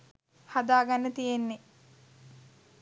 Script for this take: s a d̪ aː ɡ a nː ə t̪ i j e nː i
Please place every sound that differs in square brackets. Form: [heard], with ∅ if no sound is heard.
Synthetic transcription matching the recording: [h] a d̪ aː ɡ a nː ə t̪ i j e nː [e]

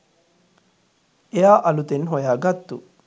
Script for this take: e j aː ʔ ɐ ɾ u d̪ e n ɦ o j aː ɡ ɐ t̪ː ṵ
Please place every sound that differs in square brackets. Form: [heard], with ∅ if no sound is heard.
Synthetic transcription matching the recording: e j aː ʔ ɐ [l] u [t̪] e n ɦ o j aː ɡ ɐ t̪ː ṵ

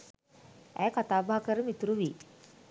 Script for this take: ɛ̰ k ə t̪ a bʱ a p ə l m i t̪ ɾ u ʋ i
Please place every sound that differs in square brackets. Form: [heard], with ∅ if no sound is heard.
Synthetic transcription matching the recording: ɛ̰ k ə t̪ a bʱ a [k] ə [ɾ] m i t̪ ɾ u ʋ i

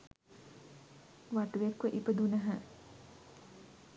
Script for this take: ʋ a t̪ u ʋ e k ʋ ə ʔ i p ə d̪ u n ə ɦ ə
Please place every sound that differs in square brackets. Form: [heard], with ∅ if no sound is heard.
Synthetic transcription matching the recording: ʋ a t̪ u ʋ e k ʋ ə ʔ i p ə d̪ u n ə ɦ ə

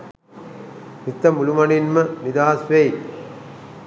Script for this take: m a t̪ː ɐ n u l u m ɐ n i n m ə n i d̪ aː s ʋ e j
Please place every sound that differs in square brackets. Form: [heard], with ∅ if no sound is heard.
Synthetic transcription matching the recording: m [i] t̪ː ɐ [m] u l u m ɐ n i n m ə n i d̪ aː s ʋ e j

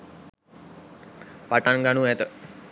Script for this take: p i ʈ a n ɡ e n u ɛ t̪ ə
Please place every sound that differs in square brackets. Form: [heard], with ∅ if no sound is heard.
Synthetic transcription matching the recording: p [a] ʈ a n ɡ [a] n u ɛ t̪ ə

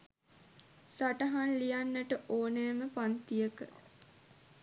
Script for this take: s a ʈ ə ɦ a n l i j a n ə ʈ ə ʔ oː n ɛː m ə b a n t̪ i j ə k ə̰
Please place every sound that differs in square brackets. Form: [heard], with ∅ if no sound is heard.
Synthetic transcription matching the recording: s a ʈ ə ɦ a n l i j a [nː] ə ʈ ə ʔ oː n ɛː m ə [p] a n t̪ i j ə k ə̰

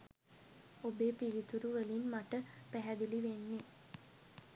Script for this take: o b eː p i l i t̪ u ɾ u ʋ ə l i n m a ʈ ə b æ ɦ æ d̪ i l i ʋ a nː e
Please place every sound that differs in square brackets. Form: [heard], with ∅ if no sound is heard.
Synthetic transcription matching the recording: o b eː p i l i t̪ u ɾ u ʋ ə l i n m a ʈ ə [p] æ ɦ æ d̪ i l i ʋ [e] nː e

